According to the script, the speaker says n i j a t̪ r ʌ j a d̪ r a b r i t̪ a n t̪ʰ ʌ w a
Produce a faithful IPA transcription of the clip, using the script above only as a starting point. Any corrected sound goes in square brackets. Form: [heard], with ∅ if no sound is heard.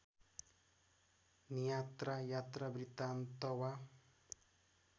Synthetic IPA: n i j a t̪ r [a] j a [t̪] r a b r i t̪ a n [t̪] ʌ w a